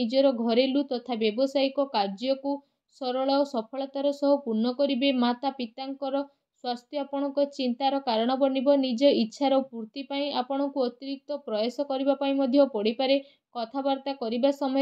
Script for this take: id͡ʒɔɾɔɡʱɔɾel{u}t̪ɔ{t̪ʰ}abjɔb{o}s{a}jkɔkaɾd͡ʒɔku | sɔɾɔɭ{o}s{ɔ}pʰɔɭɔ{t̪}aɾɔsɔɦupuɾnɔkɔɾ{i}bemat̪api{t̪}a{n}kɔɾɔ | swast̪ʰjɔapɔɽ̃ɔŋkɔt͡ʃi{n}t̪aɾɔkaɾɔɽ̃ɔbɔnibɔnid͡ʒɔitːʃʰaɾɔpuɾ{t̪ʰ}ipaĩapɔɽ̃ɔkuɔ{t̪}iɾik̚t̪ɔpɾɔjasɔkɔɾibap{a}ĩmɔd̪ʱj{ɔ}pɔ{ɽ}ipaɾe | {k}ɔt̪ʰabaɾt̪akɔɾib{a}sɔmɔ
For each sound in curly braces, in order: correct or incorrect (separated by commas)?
correct, correct, incorrect, correct, incorrect, correct, correct, correct, correct, incorrect, correct, incorrect, correct, correct, correct, correct, correct, correct